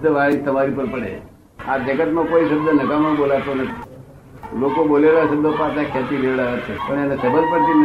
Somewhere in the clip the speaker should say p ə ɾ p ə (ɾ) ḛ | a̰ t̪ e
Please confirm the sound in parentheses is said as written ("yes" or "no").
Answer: no